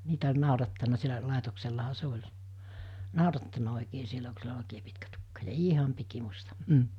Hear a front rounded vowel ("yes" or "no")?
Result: no